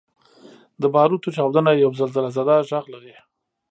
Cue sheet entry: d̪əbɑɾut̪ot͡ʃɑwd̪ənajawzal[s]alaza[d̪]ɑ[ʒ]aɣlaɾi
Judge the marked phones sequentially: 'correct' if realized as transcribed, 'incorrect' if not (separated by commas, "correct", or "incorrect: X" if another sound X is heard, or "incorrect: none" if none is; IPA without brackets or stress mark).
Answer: incorrect: z, correct, correct